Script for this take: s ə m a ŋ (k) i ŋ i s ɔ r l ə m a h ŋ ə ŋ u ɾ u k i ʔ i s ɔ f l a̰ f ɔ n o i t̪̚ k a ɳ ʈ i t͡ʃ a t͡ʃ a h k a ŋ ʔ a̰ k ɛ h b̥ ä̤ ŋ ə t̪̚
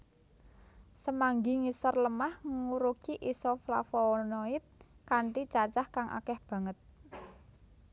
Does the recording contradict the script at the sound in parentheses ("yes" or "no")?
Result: yes